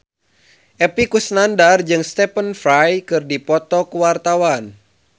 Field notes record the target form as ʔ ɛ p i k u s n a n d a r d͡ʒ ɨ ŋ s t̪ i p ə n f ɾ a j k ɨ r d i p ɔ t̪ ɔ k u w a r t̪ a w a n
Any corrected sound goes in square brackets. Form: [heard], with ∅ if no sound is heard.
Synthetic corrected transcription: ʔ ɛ p i k u s n a n d a r d͡ʒ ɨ ŋ s t̪ [ɛ] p ə n f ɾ a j k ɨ r d i p ɔ t̪ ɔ k u w a r t̪ a w a n